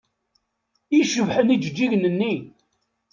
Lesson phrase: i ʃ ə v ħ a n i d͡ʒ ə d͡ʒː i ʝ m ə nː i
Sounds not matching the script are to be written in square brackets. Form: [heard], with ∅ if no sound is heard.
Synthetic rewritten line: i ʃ ə v ħ [ə] n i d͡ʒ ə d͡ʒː i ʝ [n] ə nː i